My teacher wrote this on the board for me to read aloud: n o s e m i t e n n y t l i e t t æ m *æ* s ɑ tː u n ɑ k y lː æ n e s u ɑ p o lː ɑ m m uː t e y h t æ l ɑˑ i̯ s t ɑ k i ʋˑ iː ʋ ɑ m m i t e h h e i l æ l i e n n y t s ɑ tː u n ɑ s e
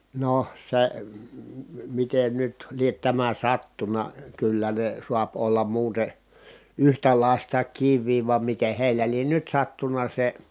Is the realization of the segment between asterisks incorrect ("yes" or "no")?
no